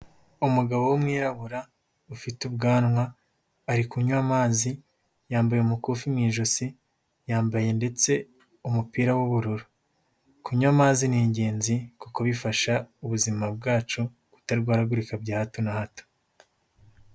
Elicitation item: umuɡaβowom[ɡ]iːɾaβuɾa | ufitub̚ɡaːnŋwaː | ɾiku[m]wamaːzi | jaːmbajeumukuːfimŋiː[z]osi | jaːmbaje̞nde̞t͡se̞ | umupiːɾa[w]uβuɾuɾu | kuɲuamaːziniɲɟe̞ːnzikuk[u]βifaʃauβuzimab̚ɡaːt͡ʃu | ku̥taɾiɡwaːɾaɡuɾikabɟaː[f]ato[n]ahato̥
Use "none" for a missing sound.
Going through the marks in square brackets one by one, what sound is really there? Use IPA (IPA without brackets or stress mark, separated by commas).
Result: ŋ, ɲ, ʒ, w, o, h, n